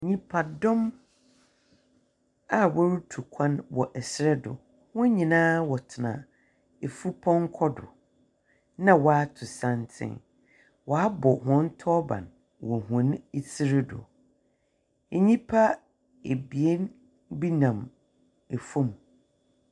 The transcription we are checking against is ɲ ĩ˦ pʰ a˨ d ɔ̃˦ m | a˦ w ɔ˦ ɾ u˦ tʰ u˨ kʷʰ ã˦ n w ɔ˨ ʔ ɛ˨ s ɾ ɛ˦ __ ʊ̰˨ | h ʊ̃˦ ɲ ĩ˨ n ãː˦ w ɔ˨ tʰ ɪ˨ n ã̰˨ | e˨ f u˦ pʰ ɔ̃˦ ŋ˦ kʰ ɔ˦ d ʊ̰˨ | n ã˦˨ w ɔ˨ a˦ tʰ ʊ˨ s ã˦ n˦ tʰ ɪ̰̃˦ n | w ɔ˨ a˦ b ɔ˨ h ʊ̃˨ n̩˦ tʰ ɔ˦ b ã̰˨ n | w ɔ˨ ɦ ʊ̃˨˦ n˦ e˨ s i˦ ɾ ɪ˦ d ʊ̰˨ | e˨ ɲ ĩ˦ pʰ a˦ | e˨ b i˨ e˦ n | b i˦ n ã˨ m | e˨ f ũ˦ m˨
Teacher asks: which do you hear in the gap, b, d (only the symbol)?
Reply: d